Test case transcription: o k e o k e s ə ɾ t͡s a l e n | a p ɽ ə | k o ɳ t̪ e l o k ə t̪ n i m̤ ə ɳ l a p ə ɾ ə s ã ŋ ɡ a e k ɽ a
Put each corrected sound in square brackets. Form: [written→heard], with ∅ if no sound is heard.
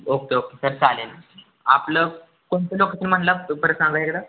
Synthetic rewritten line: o k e o k e s ə ɾ t͡s a l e n | a p [ɽ→l] ə | k o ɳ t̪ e l o k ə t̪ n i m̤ ə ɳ l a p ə ɾ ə s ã ŋ ɡ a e k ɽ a